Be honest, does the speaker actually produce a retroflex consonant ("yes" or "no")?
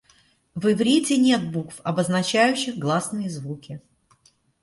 no